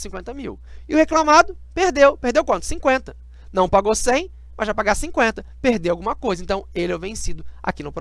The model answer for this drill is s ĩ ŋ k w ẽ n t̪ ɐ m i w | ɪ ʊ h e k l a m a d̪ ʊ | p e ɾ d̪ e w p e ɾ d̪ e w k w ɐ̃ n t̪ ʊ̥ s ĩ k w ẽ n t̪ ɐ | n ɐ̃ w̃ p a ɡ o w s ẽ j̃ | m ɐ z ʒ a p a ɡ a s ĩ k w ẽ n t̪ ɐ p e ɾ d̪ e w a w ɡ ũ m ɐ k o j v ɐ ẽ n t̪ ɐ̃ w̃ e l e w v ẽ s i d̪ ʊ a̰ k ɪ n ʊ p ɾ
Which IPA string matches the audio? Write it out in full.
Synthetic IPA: s ĩ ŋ k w ẽ n t̪ ɐ m i w | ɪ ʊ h e k l a m a d̪ ʊ | p e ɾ d̪ e w p e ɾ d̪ e w k w ɐ̃ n t̪ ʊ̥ s ĩ k w ẽ n t̪ ɐ | n ɐ̃ w̃ p a ɡ o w s ẽ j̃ | m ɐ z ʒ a p a ɡ a s ĩ k w ẽ n t̪ ɐ p e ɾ d̪ e w a w ɡ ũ m ɐ k o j z ɐ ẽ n t̪ ɐ̃ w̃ e l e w v ẽ s i d̪ ʊ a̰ k i n ʊ p ɾ